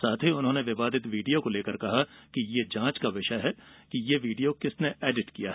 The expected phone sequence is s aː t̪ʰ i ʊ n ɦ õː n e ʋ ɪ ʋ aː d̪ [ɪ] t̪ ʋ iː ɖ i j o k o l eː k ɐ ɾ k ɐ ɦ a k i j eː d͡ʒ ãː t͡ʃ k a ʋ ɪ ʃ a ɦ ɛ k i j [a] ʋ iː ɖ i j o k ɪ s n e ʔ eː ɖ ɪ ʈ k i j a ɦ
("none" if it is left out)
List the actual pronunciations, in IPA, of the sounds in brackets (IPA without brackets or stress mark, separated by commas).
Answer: ɪ, e